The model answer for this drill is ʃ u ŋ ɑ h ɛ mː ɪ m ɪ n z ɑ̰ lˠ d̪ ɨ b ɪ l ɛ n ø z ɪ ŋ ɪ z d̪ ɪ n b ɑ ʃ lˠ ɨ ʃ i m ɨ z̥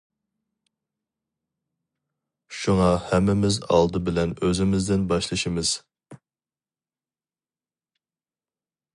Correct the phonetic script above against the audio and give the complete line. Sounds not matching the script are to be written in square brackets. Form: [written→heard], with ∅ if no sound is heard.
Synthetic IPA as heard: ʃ u ŋ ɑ h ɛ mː ɪ m ɪ [n→∅] z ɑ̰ lˠ d̪ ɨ b ɪ l ɛ n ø z ɪ [ŋ→m] ɪ z d̪ ɪ n b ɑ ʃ lˠ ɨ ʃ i m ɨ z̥